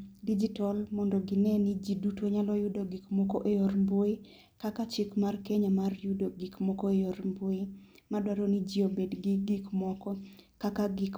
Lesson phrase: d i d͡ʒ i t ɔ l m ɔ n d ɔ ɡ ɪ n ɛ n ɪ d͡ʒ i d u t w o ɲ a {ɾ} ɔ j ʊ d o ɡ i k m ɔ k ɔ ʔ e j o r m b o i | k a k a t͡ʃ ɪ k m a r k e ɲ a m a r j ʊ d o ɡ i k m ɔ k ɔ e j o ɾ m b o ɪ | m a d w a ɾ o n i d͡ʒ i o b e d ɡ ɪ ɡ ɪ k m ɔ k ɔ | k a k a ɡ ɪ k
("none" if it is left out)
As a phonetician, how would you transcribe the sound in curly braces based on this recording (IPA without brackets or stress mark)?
l